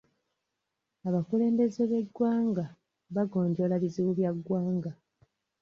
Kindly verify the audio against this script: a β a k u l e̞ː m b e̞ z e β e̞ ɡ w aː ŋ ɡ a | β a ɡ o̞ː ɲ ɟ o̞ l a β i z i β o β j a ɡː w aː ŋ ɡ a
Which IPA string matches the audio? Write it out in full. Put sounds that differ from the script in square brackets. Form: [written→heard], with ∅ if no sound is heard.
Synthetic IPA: a β a k u l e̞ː m b e̞ z e β e̞ ɡ w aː ŋ ɡ a | β a ɡ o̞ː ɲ ɟ o̞ l a β i z i β [o→u] β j a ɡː w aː ŋ ɡ a